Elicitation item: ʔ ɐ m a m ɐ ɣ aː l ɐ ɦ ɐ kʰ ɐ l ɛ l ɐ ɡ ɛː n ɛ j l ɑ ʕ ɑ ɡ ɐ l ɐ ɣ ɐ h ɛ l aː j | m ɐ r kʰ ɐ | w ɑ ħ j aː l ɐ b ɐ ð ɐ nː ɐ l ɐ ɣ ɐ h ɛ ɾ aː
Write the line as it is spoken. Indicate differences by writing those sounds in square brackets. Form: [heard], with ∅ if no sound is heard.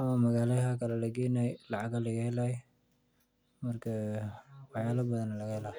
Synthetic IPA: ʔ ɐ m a m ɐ ɣ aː l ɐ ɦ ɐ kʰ ɐ l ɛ l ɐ ɡ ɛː n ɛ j l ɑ ʕ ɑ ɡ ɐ l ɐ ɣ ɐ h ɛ l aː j | m ɐ r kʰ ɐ | w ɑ ħ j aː l ɐ b ɐ ð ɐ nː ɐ l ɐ ɣ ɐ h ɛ [l] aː